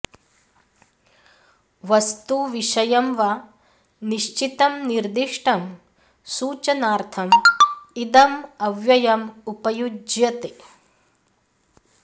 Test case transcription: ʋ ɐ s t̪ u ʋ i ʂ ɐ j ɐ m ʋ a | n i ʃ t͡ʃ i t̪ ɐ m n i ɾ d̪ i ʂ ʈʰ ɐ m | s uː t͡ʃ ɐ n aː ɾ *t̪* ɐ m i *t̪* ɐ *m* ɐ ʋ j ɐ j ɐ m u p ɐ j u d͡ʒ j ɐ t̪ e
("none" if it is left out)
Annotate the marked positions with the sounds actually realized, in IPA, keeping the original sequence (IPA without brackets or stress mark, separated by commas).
t̪ʰ, d̪, m